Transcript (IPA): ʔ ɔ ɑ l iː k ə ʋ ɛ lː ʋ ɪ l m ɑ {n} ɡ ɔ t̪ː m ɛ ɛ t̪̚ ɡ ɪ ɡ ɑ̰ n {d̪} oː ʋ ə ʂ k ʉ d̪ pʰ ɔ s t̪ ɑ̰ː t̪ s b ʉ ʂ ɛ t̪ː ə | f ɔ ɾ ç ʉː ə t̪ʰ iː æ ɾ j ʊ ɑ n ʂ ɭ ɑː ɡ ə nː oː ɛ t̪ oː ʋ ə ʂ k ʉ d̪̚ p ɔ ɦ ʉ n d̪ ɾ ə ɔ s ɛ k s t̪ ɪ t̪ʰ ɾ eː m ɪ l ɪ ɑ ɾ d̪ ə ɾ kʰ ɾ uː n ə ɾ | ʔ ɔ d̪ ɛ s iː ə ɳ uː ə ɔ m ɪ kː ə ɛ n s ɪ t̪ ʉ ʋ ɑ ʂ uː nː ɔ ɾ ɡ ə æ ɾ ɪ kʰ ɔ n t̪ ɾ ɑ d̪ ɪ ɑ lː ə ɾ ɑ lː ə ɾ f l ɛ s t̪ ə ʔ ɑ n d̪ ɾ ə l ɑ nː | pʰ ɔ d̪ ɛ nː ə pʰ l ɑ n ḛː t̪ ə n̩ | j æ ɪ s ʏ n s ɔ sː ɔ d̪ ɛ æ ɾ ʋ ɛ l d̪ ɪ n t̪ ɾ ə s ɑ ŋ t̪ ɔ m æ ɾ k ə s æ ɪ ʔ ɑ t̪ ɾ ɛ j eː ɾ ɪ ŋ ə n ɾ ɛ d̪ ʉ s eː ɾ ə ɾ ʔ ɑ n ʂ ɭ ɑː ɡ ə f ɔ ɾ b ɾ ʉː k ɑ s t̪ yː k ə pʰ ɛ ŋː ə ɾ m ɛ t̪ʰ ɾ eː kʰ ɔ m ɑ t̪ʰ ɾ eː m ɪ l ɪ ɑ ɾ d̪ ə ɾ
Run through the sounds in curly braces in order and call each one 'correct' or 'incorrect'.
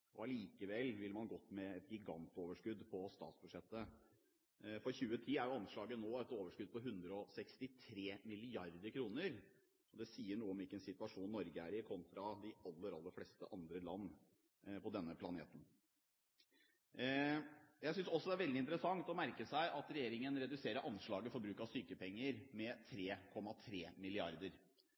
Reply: correct, incorrect: t̪

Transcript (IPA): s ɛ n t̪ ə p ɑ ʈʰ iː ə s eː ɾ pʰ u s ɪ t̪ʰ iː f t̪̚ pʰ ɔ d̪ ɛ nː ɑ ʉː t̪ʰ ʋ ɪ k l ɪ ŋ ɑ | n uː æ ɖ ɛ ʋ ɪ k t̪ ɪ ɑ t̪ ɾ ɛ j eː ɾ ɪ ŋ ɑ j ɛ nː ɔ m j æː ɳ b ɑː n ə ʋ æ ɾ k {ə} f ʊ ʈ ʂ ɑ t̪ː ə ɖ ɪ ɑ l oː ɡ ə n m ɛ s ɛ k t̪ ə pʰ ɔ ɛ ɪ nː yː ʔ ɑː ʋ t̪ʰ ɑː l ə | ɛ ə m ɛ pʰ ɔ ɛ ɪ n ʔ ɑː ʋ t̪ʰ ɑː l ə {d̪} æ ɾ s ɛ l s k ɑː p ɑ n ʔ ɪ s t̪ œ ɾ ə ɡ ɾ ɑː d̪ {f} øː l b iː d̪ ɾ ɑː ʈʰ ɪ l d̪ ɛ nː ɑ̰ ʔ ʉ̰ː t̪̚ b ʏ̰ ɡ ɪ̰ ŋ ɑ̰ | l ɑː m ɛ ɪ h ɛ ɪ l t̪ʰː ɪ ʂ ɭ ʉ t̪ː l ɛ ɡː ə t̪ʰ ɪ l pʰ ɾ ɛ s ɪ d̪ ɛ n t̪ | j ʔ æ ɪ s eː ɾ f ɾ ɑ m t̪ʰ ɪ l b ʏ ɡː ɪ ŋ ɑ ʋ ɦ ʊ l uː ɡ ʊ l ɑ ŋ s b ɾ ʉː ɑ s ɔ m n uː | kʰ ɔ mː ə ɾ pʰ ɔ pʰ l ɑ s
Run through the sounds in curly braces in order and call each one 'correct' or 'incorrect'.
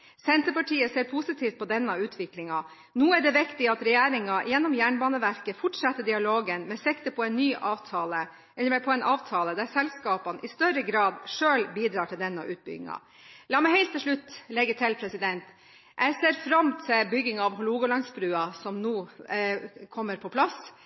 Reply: correct, correct, incorrect: ʂ

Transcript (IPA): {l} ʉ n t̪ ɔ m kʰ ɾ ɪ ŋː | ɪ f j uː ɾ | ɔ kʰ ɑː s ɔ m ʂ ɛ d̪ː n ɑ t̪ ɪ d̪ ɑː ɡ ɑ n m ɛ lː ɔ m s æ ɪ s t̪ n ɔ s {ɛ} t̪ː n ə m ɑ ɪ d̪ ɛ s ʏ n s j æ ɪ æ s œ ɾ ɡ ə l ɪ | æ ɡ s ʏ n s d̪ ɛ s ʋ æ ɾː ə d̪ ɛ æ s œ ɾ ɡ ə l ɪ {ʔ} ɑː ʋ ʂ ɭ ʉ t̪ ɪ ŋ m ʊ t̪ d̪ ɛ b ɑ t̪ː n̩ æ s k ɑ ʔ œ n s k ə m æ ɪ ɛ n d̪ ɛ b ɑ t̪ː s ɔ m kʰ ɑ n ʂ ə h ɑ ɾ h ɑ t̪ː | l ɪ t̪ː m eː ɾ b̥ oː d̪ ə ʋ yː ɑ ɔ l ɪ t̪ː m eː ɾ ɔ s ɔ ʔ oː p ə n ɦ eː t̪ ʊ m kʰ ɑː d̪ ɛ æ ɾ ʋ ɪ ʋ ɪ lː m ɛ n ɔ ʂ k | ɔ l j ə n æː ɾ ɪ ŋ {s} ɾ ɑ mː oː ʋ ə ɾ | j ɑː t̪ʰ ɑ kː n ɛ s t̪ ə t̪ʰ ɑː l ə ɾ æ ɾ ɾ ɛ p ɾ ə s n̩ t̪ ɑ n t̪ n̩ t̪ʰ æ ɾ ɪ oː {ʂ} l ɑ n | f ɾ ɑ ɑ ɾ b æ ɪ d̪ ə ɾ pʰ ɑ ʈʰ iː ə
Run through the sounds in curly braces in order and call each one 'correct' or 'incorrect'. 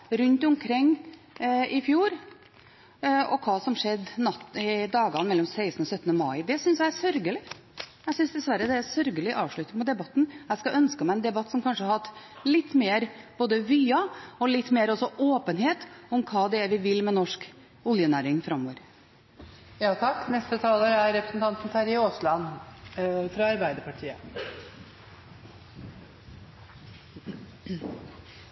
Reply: incorrect: ɾ, incorrect: œ, correct, incorrect: f, incorrect: s

